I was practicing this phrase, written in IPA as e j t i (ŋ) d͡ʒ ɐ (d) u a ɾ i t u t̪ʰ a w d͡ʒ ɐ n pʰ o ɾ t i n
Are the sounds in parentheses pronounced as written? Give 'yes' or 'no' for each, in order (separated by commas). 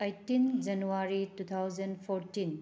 no, no